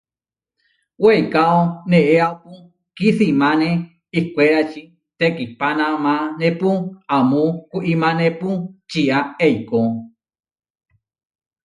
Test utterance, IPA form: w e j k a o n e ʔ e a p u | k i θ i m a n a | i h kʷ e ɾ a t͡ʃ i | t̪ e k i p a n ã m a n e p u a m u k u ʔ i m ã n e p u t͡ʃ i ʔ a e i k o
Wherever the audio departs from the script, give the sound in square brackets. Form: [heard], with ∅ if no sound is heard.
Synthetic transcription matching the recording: w e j k a o n e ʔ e a p u | k i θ i m a n [e] | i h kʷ e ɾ a t͡ʃ i | t̪ e k i p a n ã m a n e p u a m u k u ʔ i m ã n e p u t͡ʃ i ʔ a e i k o